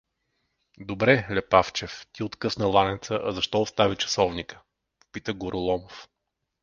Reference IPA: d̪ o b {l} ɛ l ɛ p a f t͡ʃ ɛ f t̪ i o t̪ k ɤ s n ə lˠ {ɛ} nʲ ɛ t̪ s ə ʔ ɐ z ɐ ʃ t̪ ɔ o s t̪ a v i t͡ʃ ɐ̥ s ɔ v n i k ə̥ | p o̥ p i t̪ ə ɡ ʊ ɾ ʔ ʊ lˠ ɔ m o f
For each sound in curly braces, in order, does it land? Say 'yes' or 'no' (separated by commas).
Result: no, no